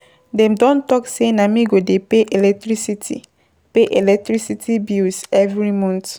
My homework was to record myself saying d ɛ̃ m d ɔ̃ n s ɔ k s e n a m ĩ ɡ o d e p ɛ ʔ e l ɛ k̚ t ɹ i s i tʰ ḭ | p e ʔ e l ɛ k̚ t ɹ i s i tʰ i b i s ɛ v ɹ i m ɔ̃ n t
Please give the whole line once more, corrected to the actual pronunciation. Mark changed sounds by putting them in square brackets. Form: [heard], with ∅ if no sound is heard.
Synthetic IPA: d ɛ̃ m d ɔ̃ n [t] ɔ k s e n a m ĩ ɡ o d e p [e] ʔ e l ɛ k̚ t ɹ i s i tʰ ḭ | p e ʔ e l ɛ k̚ t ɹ i s i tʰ i b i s ɛ v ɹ i m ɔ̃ n t

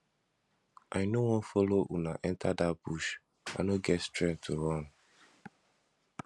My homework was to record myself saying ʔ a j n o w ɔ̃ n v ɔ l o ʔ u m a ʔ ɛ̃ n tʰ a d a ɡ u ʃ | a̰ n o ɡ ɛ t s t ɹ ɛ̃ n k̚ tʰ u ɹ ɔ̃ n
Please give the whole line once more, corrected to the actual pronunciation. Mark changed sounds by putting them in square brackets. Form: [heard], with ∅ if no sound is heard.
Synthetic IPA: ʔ a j n o w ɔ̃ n [f] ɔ l o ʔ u [n] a ʔ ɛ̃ n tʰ a d a [b] u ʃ | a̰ n o ɡ ɛ t s t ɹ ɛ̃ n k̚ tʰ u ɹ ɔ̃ n

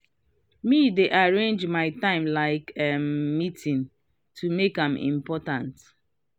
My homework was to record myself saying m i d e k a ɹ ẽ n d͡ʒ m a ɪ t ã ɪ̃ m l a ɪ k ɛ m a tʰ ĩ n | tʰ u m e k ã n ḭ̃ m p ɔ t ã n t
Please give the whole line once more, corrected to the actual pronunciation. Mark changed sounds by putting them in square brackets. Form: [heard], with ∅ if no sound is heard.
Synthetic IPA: m i d e [ʔ] a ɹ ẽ n d͡ʒ m a ɪ t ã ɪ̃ m l a ɪ k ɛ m [i] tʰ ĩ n | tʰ u m e k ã [m] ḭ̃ m p ɔ t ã n t

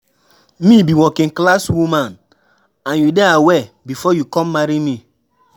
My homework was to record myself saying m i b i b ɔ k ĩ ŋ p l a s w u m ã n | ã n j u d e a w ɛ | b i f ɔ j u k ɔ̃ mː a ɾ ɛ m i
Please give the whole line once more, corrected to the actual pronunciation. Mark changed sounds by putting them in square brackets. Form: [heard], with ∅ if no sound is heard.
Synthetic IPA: m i b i [w] ɔ k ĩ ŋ [k] l a s w u m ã n | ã n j u d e a w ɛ | b i f ɔ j u k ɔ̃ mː a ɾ [i] m i

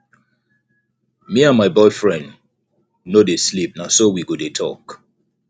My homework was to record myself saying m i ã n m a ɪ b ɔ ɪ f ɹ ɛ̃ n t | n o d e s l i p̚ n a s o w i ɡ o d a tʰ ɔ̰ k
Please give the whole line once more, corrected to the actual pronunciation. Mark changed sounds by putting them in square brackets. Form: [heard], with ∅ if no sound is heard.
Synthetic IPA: m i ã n m a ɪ b ɔ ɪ f ɹ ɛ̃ n [d] | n o d e s l i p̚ n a s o w i ɡ o d [e] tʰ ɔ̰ k

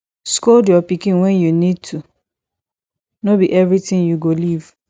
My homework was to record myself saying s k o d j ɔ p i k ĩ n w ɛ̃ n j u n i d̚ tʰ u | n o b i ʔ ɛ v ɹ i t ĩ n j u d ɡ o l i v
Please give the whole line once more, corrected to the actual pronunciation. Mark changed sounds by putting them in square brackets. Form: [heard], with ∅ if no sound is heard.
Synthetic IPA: s k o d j ɔ p i k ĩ n w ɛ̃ n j u n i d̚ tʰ u | n o b i ʔ ɛ v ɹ i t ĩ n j u [∅] ɡ o l i v

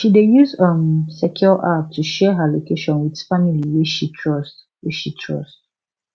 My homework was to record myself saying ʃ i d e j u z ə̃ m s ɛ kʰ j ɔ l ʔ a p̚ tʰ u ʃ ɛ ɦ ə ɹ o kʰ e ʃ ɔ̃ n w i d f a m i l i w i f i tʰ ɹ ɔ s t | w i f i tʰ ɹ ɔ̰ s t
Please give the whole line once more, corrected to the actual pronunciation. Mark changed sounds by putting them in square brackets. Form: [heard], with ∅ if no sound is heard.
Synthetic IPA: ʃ i d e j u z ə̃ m s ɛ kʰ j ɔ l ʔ a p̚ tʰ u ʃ ɛ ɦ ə [l] o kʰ e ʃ ɔ̃ n w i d f a m i l i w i [ʃ] i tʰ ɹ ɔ s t | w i [ʃ] i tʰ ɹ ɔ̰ s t

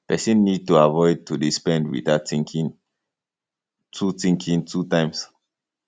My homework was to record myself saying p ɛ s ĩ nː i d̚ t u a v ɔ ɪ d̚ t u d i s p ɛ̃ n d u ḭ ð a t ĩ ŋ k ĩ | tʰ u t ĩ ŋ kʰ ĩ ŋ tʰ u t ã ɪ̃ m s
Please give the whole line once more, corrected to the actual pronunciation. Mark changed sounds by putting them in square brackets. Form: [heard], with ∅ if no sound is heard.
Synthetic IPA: p ɛ s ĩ nː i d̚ t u a v ɔ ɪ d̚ t u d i s p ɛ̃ n d [w] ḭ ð a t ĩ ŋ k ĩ | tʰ u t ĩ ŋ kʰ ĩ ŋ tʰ u t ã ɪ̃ m s

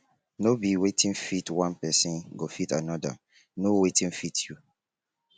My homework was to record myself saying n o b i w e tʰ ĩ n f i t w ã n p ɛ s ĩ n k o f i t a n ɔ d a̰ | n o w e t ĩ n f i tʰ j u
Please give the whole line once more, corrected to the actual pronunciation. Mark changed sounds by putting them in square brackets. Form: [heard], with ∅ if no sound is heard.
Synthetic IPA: n o b i w e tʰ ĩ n f i t w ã n p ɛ s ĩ n [ɡ] o f i t a n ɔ d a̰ | n o w e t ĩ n f i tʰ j u

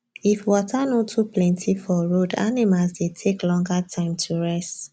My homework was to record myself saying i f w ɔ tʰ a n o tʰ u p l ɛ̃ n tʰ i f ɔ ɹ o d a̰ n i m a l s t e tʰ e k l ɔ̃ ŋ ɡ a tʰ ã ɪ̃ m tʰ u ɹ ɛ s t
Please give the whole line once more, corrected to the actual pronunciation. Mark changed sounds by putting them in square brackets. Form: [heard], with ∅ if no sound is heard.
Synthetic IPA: i f w ɔ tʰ a n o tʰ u p l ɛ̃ n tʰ i f ɔ ɹ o d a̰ n i m a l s [d] e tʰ e k l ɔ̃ ŋ ɡ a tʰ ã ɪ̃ m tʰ u ɹ ɛ s t

